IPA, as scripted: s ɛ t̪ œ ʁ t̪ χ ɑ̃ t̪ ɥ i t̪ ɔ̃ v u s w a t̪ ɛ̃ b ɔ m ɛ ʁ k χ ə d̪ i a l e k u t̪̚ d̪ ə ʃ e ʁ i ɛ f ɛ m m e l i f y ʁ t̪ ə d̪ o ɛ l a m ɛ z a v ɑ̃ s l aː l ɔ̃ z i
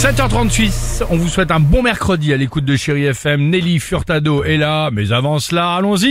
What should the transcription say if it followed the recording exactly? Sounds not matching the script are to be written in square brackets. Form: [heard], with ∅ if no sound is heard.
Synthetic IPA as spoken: s ɛ t̪ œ ʁ t̪ χ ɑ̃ t̪ ɥ i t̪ ɔ̃ v u s w [ɛ] t̪ ɛ̃ b [ɔ̃] m ɛ ʁ k χ ə d̪ i a l e k u t̪̚ d̪ ə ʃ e ʁ i ɛ f ɛ m [n] e l i f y ʁ t̪ [a] d̪ o ɛ l a m ɛ z a v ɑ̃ s l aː l ɔ̃ z i